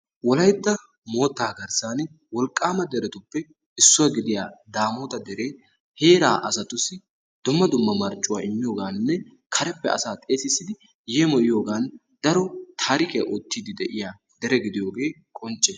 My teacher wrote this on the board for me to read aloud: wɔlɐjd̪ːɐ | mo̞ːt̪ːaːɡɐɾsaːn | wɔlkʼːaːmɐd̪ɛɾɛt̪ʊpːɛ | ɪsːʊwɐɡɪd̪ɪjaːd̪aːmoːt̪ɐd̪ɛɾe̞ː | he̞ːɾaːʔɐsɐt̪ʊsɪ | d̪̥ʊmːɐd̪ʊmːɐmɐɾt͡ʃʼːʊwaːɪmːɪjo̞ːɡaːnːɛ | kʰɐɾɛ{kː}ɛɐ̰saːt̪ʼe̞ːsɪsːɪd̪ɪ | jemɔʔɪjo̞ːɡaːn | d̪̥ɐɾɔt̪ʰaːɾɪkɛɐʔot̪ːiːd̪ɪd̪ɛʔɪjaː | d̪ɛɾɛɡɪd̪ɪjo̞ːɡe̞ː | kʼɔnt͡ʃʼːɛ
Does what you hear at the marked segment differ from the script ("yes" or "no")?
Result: yes